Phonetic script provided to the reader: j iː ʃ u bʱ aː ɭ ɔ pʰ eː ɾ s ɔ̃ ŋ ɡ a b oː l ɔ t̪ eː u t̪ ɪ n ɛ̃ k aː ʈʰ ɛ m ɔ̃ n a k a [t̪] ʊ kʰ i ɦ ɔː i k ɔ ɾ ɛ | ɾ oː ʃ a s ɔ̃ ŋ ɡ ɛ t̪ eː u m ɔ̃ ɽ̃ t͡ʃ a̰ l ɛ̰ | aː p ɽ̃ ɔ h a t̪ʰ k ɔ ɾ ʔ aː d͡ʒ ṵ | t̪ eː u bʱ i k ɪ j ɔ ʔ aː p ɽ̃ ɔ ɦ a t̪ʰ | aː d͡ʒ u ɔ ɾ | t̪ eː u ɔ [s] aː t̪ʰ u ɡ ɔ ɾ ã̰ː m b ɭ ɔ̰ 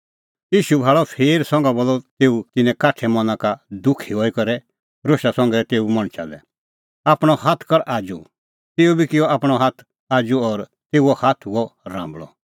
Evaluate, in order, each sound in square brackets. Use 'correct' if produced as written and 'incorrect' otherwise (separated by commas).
incorrect, incorrect